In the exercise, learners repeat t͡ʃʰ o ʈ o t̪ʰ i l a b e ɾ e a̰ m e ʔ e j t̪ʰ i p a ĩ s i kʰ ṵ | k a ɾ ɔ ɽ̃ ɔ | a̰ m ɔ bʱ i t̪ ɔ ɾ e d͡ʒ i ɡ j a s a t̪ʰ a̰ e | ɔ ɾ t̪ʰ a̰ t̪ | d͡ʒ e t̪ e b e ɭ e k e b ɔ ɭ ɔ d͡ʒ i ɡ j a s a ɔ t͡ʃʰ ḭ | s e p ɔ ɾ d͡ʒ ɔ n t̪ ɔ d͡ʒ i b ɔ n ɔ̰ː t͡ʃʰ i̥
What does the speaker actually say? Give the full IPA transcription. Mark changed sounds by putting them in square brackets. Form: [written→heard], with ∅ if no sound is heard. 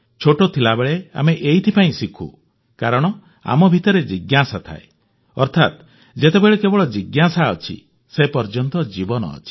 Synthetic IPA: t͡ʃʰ o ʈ o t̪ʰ i l a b e [ɾ→ɭ] e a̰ m e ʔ e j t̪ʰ i p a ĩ s i kʰ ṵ | k a ɾ ɔ ɽ̃ ɔ | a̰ m ɔ bʱ i t̪ ɔ ɾ e d͡ʒ i ɡ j a s a t̪ʰ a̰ e | ɔ ɾ t̪ʰ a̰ t̪ | d͡ʒ e t̪ e b e ɭ e k e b ɔ ɭ ɔ d͡ʒ i ɡ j a s a ɔ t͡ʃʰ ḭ | s e p ɔ ɾ d͡ʒ ɔ n t̪ ɔ d͡ʒ i b ɔ n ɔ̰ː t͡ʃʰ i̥